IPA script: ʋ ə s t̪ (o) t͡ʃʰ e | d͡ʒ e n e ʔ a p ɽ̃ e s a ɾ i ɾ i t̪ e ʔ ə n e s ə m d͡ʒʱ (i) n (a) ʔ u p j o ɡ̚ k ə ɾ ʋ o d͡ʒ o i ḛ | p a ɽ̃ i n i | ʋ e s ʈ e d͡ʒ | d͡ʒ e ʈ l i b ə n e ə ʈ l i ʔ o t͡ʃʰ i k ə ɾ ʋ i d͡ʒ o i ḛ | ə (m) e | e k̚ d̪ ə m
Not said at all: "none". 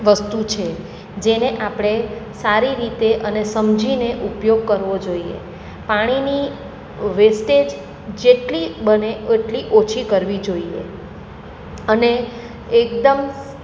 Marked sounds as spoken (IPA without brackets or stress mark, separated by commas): u, i, e, n